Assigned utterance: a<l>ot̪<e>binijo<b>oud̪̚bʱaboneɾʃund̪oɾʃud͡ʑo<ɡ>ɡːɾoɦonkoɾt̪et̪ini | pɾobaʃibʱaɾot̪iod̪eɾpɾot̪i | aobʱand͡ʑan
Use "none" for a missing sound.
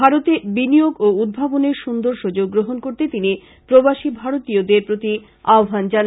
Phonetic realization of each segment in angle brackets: ɾ, e, ɡ, ɡ

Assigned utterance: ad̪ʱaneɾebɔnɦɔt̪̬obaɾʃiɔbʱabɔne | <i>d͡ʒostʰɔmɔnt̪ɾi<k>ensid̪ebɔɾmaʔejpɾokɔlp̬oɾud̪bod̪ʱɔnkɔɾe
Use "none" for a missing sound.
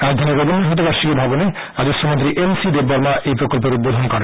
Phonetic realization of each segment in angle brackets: a, ʔ

